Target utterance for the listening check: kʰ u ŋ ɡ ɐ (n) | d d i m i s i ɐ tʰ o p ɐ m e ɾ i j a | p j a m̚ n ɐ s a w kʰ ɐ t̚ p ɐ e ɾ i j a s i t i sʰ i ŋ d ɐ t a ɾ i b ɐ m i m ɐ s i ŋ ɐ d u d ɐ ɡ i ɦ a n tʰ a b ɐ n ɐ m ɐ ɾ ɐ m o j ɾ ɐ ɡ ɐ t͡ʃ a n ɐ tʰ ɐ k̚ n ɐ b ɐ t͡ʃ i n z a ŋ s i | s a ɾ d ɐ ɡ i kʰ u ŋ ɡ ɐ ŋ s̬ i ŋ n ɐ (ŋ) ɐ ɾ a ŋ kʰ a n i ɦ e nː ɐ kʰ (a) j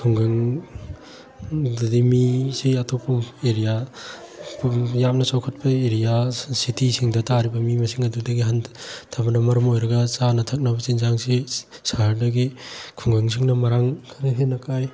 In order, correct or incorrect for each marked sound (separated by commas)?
incorrect, incorrect, correct